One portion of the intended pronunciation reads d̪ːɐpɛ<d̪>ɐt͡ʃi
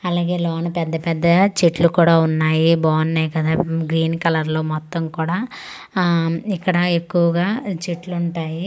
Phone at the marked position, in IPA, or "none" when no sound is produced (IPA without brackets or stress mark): d̪ː